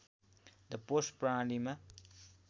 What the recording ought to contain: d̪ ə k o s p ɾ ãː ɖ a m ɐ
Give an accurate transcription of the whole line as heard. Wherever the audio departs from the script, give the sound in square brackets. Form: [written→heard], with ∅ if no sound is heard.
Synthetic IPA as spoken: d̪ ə [k→p] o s p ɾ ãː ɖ [a→i] m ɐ